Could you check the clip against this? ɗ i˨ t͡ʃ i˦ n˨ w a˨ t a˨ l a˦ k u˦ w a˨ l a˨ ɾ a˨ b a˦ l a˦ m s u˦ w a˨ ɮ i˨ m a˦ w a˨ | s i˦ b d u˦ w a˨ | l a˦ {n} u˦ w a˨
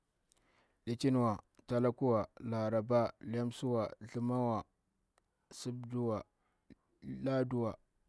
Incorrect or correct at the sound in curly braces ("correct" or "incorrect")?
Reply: incorrect